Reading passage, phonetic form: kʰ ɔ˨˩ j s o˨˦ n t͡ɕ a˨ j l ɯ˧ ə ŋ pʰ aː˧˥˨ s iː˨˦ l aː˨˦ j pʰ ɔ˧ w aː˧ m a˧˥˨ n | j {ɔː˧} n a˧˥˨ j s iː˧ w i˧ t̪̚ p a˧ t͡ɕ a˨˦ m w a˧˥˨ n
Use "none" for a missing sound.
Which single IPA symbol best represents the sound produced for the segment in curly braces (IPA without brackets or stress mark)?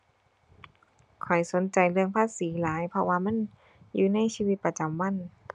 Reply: uː˧